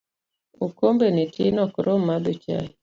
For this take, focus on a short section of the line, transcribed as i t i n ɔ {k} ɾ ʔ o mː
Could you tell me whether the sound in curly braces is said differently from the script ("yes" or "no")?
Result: no